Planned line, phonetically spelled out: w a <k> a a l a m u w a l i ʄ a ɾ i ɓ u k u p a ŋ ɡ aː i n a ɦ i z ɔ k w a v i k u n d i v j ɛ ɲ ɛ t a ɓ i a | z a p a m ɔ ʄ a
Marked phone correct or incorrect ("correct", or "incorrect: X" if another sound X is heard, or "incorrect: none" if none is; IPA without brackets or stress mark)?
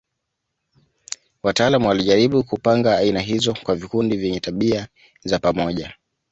incorrect: t